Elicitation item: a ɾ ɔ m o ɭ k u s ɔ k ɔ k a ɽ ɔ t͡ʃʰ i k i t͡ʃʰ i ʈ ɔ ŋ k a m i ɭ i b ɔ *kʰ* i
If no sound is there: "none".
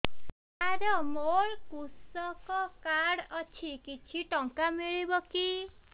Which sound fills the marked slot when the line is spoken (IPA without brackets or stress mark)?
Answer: k